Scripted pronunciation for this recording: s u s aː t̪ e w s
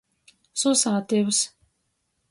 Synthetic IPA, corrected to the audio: s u s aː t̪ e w s